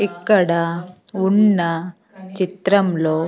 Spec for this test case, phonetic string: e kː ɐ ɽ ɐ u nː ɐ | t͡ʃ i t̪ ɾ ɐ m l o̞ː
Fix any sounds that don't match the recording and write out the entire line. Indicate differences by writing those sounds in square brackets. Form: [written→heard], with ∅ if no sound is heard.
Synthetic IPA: [e→i] kː ɐ ɽ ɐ u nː ɐ | t͡ʃ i t̪ ɾ ɐ m l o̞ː

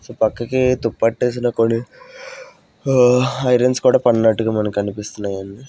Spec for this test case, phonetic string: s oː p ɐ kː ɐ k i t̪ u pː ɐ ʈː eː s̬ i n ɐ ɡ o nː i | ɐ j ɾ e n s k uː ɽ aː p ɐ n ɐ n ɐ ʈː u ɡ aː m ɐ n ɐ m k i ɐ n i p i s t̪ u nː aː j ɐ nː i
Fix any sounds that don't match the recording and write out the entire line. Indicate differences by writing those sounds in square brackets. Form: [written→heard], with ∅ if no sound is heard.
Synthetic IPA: s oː p ɐ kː ɐ k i t̪ u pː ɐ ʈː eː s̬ i n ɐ [ɡ→k] o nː i | ɐ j ɾ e n s k uː ɽ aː p ɐ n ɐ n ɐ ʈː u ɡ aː m ɐ n ɐ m k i ɐ n i p i s t̪ u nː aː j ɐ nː i

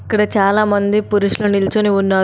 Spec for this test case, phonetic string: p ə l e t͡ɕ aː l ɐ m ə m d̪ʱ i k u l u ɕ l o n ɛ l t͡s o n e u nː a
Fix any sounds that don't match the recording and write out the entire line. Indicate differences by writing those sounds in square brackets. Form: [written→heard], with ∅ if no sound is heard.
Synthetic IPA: [p→k] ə [l→ɽ] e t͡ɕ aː l [ɐ→a] m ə [m→n] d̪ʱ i [k→p] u [l→ɾ] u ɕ l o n [ɛ→i] l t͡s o n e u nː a

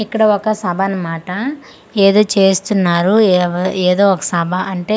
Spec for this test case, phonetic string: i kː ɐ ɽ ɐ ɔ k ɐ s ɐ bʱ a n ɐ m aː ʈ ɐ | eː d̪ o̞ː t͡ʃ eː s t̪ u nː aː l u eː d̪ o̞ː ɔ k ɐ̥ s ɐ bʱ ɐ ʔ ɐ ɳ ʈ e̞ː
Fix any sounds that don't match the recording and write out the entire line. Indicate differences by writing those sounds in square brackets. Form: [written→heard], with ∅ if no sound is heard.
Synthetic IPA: i kː ɐ ɽ ɐ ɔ k ɐ s ɐ bʱ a n ɐ m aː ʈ ɐ | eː d̪ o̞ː t͡ʃ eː s t̪ u nː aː [l→ɾ] u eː d̪ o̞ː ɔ k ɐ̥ s ɐ bʱ ɐ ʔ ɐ ɳ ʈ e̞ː

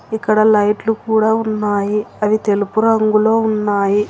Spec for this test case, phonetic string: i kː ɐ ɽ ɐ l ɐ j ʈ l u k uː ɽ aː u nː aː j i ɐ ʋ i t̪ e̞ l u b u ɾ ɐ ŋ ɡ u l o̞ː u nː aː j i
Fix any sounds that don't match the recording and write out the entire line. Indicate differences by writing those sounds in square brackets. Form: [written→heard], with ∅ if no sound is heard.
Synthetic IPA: i kː ɐ ɽ ɐ l ɐ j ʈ l u k uː ɽ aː u nː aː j i ɐ ʋ i t̪ e̞ l u [b→p] u ɾ ɐ ŋ ɡ u l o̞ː u nː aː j i

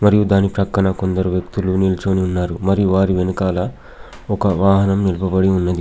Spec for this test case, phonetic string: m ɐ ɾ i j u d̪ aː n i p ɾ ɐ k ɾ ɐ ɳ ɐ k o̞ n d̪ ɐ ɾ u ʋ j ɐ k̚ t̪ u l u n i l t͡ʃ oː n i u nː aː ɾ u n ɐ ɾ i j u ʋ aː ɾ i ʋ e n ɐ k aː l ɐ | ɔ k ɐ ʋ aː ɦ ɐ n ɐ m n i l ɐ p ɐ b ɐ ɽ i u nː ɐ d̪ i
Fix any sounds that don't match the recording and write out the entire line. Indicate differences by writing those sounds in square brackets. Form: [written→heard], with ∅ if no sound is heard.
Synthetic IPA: m ɐ ɾ i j u d̪ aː n i p ɾ ɐ k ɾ ɐ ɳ ɐ k o̞ n d̪ ɐ ɾ u ʋ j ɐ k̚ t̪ u l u n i l t͡ʃ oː n i u nː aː ɾ u [n→m] ɐ ɾ i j u ʋ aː ɾ i ʋ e n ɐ k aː l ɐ | ɔ k ɐ ʋ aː ɦ ɐ n ɐ m n i l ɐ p ɐ b ɐ ɽ i u nː ɐ d̪ i

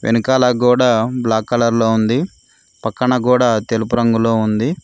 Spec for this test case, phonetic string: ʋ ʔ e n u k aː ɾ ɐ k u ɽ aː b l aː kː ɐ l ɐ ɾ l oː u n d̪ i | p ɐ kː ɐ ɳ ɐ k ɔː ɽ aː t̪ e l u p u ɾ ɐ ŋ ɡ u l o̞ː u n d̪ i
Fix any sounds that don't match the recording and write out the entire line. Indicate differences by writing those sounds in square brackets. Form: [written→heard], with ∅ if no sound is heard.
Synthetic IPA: ʋ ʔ e n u k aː [ɾ→l] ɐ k [u→uː] ɽ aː b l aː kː ɐ l ɐ ɾ l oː u n d̪ i | p ɐ kː ɐ ɳ ɐ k [ɔː→uː] ɽ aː t̪ e l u p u ɾ ɐ ŋ ɡ u l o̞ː u n d̪ i

